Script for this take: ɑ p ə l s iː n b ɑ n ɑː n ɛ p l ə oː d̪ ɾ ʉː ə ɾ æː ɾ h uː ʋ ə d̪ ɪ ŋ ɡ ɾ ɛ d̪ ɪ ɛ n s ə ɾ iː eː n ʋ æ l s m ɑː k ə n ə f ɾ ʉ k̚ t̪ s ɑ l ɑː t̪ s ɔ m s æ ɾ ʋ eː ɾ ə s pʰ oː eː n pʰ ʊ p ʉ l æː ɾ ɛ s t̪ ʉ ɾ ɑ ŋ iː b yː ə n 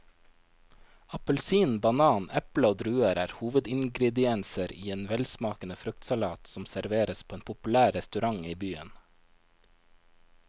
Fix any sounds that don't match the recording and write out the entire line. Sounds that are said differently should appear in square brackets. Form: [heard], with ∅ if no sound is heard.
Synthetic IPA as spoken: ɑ p ə l s iː n b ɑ n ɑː n ɛ p l ə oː d̪ ɾ ʉː ə ɾ æː ɾ h uː ʋ ə d̪ ɪ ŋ ɡ ɾ ɛ d̪ ɪ ɛ n s ə ɾ iː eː n ʋ [ɛ] l s m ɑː k ə n ə f ɾ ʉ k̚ t̪ s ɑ l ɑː t̪ s ɔ m s æ ɾ ʋ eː ɾ ə s pʰ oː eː n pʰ ʊ p ʉ l æː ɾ ɛ s t̪ ʉ ɾ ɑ ŋ iː b yː ə n